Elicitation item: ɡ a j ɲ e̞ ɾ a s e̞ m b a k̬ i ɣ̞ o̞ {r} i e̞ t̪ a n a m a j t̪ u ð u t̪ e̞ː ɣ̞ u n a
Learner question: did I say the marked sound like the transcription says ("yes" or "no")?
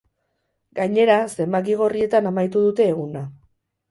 yes